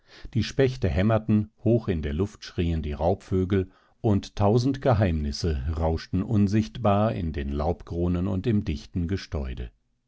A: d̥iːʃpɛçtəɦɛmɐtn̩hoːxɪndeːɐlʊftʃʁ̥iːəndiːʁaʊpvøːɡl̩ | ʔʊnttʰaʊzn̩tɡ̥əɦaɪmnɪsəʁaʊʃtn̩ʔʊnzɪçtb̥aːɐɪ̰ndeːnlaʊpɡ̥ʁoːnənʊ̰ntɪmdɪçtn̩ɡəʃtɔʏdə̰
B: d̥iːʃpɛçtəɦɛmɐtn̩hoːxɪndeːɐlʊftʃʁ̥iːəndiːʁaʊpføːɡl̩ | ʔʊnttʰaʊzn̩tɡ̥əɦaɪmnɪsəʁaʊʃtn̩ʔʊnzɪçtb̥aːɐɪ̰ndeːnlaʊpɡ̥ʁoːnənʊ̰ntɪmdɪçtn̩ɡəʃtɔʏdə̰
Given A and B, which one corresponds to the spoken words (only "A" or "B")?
B